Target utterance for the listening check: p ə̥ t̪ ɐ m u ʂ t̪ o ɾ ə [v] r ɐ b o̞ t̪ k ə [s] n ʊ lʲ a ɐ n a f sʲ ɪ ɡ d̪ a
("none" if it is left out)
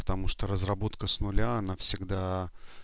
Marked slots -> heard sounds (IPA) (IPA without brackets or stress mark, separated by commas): z, s